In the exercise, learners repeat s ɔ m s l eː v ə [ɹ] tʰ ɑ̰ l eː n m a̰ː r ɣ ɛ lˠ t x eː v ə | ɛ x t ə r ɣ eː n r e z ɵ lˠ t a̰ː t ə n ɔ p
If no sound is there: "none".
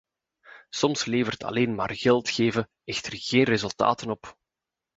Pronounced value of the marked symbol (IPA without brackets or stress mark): r